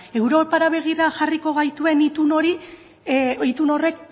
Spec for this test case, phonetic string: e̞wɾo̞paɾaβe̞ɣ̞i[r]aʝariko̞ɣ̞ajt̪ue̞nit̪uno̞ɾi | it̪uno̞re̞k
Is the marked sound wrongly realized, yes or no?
no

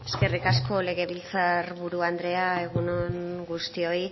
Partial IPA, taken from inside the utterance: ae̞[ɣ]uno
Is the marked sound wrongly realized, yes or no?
no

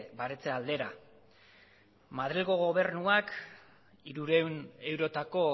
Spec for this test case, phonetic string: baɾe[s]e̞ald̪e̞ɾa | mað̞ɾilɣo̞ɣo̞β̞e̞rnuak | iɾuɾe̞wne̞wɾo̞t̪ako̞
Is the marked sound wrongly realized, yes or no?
yes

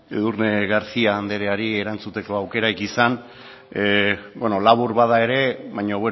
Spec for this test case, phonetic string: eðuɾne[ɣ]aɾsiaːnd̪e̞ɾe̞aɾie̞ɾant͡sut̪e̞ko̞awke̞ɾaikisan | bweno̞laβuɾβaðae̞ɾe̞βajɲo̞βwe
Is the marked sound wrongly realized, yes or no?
no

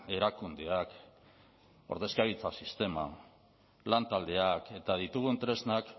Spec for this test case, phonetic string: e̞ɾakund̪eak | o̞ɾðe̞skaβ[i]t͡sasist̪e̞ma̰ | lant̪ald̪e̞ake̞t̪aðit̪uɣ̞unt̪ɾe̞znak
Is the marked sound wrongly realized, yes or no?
no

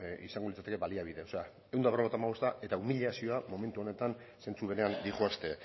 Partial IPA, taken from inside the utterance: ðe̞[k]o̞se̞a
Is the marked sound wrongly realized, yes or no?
yes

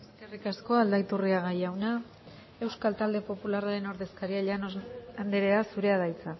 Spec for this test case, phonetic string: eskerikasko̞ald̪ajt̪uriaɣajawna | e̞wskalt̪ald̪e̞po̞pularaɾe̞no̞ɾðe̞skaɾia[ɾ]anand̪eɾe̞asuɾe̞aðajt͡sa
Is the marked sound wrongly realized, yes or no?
yes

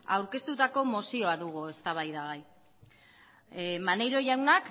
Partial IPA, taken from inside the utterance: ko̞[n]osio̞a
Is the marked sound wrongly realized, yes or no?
yes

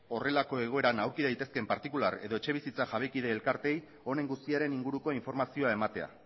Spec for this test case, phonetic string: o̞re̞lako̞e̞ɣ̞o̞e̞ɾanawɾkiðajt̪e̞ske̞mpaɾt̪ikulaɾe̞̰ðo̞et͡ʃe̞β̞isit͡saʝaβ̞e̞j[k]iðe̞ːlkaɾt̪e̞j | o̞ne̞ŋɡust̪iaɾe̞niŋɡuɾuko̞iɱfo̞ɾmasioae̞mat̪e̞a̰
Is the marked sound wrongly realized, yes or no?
no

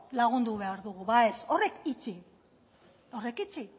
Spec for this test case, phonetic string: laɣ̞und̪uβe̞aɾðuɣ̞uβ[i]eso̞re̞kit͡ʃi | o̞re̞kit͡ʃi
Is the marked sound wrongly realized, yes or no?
yes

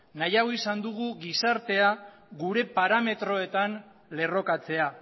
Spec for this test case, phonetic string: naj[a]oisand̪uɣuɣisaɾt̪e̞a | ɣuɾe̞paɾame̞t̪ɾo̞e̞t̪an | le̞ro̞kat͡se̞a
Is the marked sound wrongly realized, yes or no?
no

